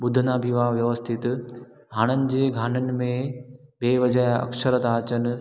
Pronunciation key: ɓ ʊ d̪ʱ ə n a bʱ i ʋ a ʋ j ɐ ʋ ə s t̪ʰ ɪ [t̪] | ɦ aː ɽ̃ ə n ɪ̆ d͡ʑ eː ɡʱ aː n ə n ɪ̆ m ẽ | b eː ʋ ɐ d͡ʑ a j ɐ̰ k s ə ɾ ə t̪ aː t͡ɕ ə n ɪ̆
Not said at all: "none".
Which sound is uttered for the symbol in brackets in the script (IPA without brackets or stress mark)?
t̪